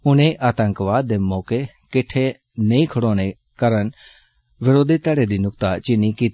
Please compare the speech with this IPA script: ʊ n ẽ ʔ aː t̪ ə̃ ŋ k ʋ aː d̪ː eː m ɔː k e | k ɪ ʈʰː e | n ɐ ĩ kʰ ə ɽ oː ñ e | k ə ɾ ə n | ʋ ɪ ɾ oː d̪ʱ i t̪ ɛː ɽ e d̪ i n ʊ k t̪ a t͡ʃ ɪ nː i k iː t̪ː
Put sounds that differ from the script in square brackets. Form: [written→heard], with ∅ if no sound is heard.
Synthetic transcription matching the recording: ʊ n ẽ ʔ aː t̪ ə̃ ŋ k ʋ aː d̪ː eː m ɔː k e | k ɪ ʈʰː e | n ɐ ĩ kʰ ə ɽ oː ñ e | k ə ɾ ə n | ʋ ɪ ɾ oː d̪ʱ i t̪ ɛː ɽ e d̪ i n ʊ k t̪ a t͡ʃ ɪ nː i k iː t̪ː